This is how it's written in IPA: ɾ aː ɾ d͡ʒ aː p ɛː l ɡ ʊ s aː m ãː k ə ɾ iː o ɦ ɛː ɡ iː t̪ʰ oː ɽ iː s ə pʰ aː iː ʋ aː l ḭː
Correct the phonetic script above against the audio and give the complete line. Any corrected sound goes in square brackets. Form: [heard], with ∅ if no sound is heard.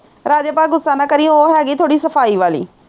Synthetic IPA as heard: ɾ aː [∅] d͡ʒ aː p [aː] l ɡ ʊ s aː [n] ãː k ə ɾ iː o ɦ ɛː ɡ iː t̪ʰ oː ɽ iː s ə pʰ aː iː ʋ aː l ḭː